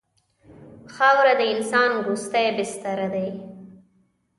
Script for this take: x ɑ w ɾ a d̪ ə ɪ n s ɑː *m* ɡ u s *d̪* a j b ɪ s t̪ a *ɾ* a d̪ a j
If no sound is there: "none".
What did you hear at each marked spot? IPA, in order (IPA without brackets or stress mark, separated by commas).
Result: n, t̪, ɾ